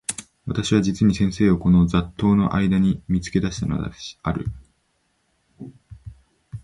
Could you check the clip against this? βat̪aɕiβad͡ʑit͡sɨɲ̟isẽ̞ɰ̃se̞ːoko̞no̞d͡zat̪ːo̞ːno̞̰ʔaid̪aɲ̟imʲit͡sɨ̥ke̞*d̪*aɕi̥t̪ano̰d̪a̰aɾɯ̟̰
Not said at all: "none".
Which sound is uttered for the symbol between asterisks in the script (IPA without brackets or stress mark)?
d̪